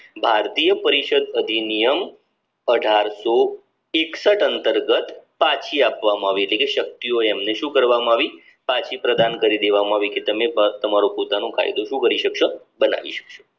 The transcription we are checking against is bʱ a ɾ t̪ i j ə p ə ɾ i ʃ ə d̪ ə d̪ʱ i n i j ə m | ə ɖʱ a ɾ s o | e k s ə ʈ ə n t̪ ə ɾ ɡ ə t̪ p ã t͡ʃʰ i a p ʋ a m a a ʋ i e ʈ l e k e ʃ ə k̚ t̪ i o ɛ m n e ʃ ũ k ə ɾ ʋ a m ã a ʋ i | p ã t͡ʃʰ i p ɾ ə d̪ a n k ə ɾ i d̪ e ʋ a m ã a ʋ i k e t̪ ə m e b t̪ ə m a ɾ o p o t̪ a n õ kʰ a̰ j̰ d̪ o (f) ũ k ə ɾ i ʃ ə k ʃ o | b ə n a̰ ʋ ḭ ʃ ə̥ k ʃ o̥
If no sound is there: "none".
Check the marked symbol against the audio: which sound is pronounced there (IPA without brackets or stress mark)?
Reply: ʃ